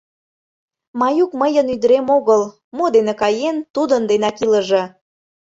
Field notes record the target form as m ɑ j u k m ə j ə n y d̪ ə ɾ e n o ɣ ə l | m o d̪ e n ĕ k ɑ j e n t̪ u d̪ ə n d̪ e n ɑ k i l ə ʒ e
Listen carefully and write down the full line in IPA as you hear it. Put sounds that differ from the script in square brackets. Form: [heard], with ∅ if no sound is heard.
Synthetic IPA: m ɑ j u k m ə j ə n y d̪ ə ɾ e [m] o ɣ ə l | m o d̪ e n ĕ k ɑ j e n t̪ u d̪ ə n d̪ e n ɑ k i l ə ʒ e